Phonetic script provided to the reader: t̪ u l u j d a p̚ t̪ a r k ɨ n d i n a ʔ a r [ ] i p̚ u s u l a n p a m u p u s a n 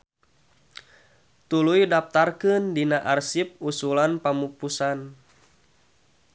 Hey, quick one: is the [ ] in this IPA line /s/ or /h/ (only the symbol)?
s